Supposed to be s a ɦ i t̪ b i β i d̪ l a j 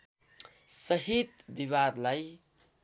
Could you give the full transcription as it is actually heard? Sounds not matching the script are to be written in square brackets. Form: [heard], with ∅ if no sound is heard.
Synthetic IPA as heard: s [ʌ] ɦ i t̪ b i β [a] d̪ l a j

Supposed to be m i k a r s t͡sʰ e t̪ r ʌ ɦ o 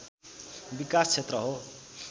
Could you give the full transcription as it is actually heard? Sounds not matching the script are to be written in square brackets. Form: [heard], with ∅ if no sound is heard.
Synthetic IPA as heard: [b] i k a [∅] s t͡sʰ e t̪ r ʌ ɦ o

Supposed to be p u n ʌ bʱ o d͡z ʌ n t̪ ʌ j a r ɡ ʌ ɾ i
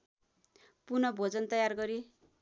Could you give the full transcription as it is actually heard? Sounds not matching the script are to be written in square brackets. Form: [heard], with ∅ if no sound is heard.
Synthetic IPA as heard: p u n ʌ bʱ o d͡z ʌ n t̪ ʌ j a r ɡ ʌ ɾ i

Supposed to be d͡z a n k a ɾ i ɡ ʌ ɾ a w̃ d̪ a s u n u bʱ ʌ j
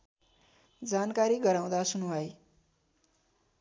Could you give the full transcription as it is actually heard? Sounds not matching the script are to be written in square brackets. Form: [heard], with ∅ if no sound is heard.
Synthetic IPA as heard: d͡z a n k a ɾ i ɡ ʌ ɾ a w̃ d̪ a s u n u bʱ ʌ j

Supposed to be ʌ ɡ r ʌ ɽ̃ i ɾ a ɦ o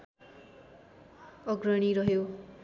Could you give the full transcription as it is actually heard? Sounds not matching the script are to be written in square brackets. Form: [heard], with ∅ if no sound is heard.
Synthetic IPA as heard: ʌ ɡ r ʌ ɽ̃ i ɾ [ʌ] ɦ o

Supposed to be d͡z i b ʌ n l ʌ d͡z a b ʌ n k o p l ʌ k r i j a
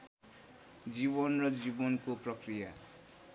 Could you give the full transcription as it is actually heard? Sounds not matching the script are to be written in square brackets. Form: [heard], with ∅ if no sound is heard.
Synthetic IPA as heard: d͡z i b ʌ n [r] ʌ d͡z [i] b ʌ n k o p [r] ʌ k r i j a

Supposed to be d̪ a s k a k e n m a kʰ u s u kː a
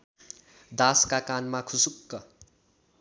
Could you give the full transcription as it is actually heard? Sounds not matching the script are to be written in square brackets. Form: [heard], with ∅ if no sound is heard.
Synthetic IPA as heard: d̪ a s k a k [a] n m a kʰ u s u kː [ʌ]

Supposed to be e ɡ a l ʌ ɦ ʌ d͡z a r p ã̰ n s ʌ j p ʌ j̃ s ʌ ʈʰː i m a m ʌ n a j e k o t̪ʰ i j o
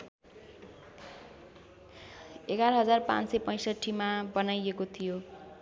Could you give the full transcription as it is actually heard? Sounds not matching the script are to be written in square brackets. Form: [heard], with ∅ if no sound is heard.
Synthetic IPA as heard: e ɡ a [ɾ] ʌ ɦ ʌ d͡z a r p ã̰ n s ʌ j p ʌ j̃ s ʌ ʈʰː i m a [b] ʌ n a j e k o t̪ʰ i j o

